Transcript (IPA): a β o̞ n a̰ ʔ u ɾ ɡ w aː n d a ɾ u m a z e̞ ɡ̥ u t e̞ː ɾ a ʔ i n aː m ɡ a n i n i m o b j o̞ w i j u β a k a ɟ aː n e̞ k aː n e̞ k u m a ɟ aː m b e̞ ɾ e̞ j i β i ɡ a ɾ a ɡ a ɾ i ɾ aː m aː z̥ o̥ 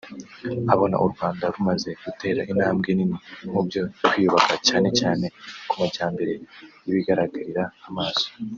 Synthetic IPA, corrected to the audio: a β o̞ n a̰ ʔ u ɾ ɡ w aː n d a ɾ u m a z e̞ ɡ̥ u t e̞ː ɾ a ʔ i n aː m ɡ e n i n i m u b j o̞ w i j u β a k a c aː n e̞ c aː n e̞ k u m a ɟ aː m b e̞ ɾ e̞ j i β i ɡ a ɾ a ɡ a ɾ i ɾ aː m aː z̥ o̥